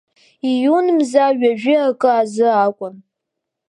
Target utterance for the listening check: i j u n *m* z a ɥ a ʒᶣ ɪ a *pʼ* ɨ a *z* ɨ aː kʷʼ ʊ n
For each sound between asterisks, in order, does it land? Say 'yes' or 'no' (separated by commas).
yes, no, yes